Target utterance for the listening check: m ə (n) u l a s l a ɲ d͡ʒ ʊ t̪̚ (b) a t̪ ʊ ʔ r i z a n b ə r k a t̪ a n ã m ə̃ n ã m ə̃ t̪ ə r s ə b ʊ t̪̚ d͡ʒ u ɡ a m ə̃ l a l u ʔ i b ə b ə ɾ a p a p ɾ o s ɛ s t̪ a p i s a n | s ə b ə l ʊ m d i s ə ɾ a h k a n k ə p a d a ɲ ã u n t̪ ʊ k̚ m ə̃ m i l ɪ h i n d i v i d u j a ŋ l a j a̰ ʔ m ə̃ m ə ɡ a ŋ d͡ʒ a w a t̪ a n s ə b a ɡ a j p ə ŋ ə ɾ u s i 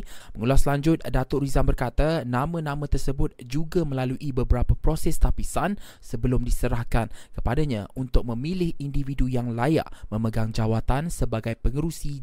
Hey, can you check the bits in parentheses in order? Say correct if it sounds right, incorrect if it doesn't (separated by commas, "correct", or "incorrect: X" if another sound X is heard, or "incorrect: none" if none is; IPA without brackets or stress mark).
incorrect: ŋ, incorrect: d